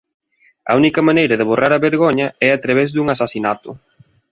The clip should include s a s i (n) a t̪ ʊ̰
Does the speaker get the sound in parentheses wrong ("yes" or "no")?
no